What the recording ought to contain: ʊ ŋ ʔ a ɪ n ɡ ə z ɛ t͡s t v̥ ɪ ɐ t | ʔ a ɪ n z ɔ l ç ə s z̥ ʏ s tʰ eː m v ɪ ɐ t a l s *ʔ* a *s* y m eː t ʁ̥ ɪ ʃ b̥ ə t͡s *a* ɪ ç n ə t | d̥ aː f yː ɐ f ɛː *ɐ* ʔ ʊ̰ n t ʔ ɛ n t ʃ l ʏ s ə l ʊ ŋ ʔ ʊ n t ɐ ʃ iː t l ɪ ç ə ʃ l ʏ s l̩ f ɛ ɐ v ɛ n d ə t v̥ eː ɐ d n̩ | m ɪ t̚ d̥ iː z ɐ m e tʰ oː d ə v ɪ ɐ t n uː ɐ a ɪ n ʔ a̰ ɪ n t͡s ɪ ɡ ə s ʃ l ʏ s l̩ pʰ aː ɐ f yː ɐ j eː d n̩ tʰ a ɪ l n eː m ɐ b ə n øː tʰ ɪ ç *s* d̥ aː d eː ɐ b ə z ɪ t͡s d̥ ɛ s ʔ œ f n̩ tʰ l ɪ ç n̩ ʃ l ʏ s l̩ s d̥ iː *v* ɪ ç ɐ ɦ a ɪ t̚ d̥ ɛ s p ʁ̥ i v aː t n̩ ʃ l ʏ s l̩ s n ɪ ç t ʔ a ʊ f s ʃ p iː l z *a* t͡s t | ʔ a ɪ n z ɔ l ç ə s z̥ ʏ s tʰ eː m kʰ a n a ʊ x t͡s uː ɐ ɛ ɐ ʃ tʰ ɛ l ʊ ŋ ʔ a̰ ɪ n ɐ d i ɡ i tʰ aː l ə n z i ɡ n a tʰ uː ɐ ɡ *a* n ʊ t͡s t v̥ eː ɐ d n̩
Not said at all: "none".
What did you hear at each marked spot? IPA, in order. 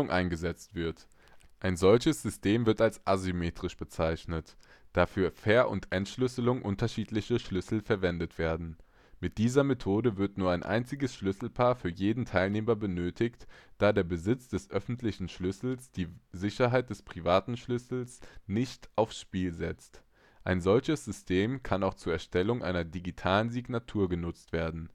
ʔ, z, a, ɐ, t, z, ɛ, ə

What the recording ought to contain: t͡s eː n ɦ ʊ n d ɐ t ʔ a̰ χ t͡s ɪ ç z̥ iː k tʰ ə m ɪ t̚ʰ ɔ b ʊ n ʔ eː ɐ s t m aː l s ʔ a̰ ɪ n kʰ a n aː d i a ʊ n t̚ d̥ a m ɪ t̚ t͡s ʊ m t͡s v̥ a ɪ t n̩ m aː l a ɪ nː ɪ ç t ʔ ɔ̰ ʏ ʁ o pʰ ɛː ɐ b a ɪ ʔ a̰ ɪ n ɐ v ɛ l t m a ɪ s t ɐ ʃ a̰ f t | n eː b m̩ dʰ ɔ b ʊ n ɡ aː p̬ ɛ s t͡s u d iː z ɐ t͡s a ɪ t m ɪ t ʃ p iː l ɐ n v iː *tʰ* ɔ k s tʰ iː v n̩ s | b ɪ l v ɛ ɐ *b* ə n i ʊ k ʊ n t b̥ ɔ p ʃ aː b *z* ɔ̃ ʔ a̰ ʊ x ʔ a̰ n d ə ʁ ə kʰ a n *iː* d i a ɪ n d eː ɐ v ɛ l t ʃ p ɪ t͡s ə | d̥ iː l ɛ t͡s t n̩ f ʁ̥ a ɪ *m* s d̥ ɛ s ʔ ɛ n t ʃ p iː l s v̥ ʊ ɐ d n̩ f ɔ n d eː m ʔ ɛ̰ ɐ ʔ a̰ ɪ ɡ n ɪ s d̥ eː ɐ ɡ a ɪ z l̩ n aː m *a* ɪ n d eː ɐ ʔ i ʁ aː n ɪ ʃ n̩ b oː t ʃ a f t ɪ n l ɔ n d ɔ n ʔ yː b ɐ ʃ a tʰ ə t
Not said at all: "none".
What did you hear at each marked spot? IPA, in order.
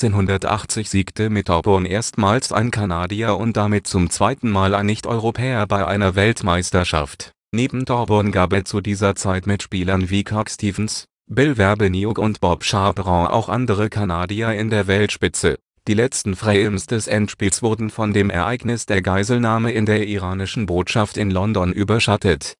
kʰ, b, ʁ, aː, m, ə

